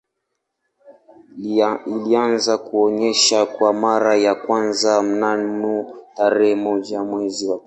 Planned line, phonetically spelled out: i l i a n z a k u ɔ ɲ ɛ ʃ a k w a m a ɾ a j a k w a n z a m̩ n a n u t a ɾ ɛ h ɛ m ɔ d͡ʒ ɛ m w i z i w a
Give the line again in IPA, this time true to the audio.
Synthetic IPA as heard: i l i a n z a k u ɔ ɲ ɛ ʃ a k w a m a ɾ a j a k w a n z a m̩ n a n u t a ɾ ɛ h ɛ m ɔ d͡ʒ a m w ɛ z i w a